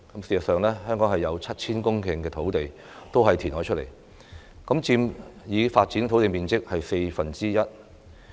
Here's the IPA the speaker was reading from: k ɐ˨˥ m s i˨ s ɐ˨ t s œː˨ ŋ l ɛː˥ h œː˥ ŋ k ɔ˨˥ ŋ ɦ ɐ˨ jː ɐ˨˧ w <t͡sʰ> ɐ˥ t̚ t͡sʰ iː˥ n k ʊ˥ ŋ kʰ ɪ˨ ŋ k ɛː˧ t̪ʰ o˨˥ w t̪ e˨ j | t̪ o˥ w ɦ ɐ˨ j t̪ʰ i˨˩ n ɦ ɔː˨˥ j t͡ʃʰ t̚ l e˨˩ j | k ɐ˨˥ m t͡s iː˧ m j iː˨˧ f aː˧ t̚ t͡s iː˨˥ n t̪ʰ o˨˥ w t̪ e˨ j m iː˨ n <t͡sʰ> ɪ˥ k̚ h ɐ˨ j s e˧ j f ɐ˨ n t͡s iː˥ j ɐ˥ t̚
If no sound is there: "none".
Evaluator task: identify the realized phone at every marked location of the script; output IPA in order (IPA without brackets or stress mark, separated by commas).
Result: t͡sʰ, t͡s